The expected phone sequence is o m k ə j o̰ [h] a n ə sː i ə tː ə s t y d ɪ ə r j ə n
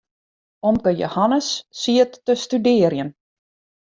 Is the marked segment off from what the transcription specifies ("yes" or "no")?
no